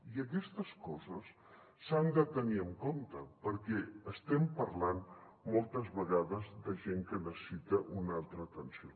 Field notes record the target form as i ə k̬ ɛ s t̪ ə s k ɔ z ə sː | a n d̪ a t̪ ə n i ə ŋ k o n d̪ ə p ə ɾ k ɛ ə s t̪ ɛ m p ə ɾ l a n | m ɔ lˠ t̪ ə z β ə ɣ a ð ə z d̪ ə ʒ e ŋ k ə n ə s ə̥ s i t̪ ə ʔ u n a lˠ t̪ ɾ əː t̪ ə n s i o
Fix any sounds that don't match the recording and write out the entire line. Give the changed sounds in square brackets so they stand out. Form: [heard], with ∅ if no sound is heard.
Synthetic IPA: i ə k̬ ɛ s t̪ ə s k ɔ z ə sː | a n d̪ [ə] t̪ ə n i ə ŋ k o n [t̪] ə p ə ɾ k ɛ ə s t̪ ɛ m p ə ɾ l a n | m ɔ lˠ t̪ ə z β ə ɣ a ð ə z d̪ ə ʒ e ŋ k ə n ə s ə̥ s i t̪ ə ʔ u n a lˠ t̪ ɾ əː t̪ ə n s i o